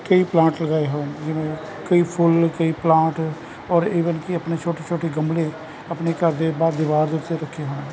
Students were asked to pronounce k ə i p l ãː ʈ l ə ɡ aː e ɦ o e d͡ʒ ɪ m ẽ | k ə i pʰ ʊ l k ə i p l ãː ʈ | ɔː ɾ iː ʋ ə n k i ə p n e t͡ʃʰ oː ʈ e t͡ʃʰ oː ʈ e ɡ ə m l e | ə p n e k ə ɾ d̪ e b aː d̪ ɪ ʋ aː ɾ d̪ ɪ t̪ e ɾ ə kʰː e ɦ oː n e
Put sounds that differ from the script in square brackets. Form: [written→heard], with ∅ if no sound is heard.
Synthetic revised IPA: k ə i p l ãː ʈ l ə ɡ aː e ɦ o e d͡ʒ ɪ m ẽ | k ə i pʰ ʊ l k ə i p l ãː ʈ | ɔː ɾ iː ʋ ə n k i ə p n e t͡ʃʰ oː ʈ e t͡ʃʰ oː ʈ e ɡ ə m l e | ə p n e k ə ɾ d̪ e b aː d̪ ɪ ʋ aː ɾ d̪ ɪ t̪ e ɾ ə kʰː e ɦ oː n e